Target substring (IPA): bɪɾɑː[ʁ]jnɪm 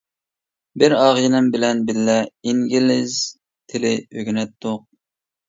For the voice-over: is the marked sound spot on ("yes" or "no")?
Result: yes